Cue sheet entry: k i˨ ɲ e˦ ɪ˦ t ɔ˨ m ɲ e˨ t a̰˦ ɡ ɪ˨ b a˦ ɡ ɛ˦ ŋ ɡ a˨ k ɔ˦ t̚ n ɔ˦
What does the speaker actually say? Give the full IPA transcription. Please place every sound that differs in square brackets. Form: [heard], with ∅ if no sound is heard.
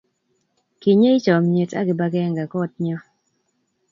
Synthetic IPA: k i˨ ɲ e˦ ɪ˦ [t͡ʃ] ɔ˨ m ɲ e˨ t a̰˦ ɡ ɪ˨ b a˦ ɡ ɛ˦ ŋ ɡ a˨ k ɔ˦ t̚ [ɲ] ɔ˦